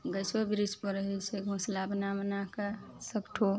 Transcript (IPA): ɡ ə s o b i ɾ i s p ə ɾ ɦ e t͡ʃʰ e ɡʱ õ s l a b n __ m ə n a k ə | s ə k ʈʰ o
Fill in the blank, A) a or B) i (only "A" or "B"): A